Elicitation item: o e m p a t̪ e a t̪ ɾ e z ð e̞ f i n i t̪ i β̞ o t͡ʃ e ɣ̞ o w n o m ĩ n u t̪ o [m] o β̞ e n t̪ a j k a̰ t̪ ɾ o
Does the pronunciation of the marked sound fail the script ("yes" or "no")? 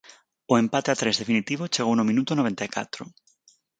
yes